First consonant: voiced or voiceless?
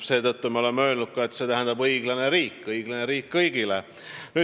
voiceless